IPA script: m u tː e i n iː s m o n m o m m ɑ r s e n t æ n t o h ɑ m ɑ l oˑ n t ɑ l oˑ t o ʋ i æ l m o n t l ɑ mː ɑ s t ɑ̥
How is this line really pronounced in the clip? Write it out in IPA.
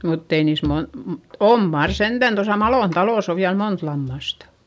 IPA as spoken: m u tː e i n iː s m o n m o m m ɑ r s e n t æ n t o s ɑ m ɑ l oˑ n t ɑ l oˑ s o ʋ i æ l m o n t l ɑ mː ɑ s t ɑ̥